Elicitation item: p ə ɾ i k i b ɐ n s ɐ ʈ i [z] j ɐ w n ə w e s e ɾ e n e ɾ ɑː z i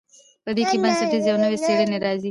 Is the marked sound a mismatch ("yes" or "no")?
no